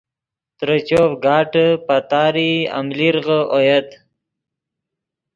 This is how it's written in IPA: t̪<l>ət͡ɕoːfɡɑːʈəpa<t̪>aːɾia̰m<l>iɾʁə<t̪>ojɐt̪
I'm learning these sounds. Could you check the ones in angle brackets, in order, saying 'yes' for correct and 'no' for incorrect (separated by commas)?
no, yes, yes, no